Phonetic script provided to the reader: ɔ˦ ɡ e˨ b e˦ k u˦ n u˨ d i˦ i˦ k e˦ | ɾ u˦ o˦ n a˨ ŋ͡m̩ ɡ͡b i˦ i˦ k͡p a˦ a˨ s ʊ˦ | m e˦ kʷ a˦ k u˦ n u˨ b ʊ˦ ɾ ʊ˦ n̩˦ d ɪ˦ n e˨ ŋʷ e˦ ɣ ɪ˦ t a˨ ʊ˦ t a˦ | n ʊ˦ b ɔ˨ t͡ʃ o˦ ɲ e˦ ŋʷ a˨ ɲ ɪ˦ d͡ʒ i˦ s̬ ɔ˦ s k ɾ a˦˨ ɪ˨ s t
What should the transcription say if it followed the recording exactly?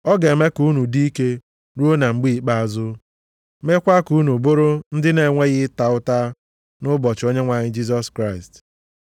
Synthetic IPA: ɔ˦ ɡ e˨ m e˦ k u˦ n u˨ d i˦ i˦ k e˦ | ɾ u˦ o˦ n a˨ ŋ͡m̩ ɡ͡b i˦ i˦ k͡p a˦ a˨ z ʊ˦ | m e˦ kʷ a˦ k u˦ n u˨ b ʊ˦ ɾ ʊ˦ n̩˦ d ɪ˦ n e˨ ŋʷ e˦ ɣ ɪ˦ t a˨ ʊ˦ t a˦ | n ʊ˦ b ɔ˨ t͡ʃ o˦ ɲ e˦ ŋʷ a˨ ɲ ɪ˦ d͡ʒ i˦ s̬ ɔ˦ s k ɾ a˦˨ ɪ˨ s t